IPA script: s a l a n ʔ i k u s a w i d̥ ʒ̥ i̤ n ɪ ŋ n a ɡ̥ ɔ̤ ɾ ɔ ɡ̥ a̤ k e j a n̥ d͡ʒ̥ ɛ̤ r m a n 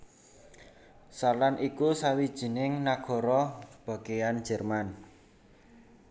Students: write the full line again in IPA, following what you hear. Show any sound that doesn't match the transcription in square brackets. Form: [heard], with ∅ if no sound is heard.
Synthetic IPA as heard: s a l a n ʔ i k u s a w i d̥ ʒ̥ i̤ n ɪ ŋ n a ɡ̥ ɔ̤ ɾ ɔ [b̥] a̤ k e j a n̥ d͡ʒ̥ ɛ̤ r m a n